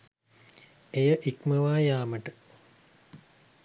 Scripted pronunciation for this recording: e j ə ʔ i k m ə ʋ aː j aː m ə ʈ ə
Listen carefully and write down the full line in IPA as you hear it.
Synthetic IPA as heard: e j ə ʔ i k m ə ʋ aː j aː m ə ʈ ə